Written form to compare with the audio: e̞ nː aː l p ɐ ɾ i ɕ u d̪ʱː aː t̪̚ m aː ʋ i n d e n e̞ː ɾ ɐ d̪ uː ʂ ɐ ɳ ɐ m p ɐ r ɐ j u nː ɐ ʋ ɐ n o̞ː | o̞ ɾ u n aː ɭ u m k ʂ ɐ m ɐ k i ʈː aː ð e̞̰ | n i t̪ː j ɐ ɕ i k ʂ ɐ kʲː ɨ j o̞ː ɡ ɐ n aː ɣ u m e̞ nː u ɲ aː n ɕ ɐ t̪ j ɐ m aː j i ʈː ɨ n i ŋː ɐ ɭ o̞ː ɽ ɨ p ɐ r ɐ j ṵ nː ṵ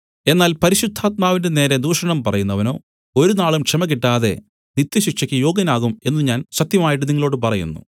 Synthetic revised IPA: e̞ nː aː l p ɐ ɾ i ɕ u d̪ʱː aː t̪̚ m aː ʋ i n d e n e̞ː ɾ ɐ d̪ uː ʂ ɐ ɳ ɐ m p ɐ r ɐ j u nː ɐ ʋ ɐ n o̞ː | o̞ ɾ u n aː ɭ u m k ʂ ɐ m ɐ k i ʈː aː ð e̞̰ | n i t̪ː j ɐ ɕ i k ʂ ɐ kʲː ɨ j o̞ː ɡ ɐ n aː ɣ u m e̞ nː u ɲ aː n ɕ ɐ t̪ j ɐ m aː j i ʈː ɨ n i ŋː ɐ ɭ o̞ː ɽ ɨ p ɐ r ɐ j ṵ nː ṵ